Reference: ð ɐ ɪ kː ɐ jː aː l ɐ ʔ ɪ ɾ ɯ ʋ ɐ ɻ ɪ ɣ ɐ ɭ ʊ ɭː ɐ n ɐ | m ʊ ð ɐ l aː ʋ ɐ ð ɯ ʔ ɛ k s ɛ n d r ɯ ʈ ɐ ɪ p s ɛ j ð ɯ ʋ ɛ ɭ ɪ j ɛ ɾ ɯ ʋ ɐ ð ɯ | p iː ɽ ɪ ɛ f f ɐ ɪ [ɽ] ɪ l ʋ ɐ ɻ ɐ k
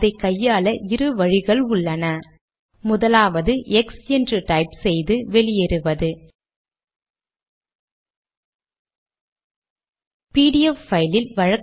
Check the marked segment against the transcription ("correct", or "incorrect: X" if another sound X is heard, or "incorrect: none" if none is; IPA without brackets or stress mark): incorrect: l